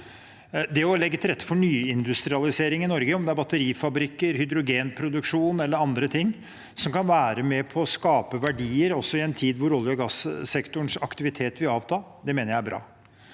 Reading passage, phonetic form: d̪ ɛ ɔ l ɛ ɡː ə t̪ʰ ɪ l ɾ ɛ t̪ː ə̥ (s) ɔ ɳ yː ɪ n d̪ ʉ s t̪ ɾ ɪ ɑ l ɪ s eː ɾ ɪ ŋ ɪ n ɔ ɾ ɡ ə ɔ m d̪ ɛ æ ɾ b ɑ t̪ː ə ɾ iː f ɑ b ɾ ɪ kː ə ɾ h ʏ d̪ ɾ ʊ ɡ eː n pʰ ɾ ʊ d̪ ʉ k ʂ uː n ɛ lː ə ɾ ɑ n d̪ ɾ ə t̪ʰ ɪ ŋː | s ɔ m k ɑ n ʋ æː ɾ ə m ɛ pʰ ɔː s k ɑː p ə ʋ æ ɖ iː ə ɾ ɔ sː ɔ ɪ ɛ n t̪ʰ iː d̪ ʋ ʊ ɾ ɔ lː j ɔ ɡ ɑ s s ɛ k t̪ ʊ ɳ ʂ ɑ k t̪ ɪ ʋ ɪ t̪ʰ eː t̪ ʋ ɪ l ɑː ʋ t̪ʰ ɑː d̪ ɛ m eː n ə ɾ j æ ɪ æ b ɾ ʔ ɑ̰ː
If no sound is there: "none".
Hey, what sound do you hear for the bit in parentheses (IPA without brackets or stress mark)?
f